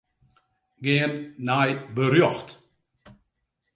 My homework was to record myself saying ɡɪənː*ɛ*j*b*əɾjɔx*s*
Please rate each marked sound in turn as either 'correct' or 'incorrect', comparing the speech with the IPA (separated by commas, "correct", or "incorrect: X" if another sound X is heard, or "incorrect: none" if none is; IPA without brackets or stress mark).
incorrect: a, correct, incorrect: t